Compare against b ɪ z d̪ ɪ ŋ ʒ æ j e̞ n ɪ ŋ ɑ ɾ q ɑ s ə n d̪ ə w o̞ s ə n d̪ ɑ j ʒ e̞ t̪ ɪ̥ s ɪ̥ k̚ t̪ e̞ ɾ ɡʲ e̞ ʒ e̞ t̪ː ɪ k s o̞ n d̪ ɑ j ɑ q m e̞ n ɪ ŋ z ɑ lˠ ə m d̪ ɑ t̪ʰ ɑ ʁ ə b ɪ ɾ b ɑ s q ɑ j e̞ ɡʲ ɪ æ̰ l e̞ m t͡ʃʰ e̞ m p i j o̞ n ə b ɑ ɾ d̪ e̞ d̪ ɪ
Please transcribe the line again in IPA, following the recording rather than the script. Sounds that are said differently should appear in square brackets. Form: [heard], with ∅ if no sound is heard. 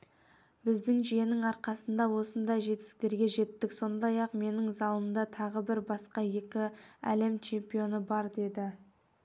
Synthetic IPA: b ɪ z d̪ ɪ ŋ ʒ [i] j e̞ n ɪ ŋ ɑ ɾ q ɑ s ə n d̪ [ɑ] w o̞ s ə n d̪ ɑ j ʒ e̞ t̪ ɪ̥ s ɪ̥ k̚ t̪ e̞ ɾ ɡʲ e̞ ʒ e̞ t̪ː ɪ k s o̞ n d̪ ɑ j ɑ q m e̞ n ɪ ŋ z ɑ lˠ ə m d̪ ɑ t̪ʰ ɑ ʁ ə b ɪ ɾ b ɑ s q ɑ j e̞ [kʲ] ɪ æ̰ l e̞ m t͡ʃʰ e̞ m p i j o̞ n ə b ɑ ɾ d̪ e̞ d̪ ɪ